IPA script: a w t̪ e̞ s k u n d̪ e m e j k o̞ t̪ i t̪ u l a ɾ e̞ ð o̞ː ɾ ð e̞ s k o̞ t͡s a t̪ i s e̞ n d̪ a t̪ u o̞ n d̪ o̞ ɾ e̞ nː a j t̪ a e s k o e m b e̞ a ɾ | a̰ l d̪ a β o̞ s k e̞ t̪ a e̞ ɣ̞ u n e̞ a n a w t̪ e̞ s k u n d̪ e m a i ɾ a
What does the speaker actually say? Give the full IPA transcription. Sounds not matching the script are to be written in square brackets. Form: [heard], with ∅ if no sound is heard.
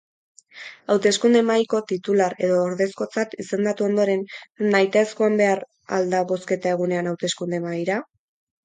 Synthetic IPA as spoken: a w t̪ e̞ s k u n d̪ e m [a] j k o̞ t̪ i t̪ u l a ɾ e̞ ð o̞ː ɾ ð e̞ s k o̞ t͡s a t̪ i s e̞ n d̪ a t̪ u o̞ n d̪ o̞ ɾ e̞ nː a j t̪ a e s k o [a] m b e̞ a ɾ | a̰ l d̪ a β o̞ s k e̞ t̪ a e̞ ɣ̞ u n e̞ a n a w t̪ e̞ s k u n d̪ e m a [j] ɾ a